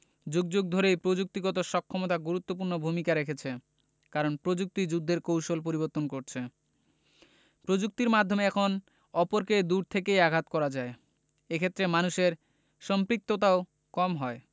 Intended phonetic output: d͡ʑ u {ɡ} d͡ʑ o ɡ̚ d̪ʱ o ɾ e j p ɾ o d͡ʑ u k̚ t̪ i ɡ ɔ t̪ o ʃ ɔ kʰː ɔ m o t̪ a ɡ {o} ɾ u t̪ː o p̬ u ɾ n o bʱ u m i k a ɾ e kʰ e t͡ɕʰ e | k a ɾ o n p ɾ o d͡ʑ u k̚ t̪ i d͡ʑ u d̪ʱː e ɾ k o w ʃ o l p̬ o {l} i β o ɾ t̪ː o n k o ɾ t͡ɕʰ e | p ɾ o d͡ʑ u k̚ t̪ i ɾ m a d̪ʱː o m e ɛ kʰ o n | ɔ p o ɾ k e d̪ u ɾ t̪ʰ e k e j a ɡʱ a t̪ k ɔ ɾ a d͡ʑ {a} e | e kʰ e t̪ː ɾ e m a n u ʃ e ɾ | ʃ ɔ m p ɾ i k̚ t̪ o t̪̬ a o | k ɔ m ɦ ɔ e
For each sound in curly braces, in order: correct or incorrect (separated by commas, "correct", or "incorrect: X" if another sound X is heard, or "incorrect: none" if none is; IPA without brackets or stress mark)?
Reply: correct, incorrect: u, incorrect: ɾ, correct